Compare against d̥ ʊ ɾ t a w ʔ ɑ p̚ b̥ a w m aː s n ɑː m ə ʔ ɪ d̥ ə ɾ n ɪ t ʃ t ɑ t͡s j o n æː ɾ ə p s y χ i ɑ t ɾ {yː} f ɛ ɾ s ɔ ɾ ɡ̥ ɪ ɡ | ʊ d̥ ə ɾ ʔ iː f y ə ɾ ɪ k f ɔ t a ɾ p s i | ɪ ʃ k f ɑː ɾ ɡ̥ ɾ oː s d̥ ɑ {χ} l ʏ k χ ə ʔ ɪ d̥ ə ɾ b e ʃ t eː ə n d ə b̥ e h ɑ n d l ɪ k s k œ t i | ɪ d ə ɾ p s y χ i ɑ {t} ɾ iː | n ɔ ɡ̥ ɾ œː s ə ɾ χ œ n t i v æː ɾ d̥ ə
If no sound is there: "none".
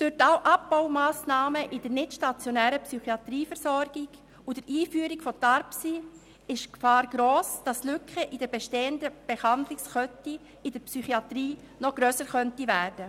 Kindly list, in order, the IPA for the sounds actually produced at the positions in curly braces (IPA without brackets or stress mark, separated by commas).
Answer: iː, s, t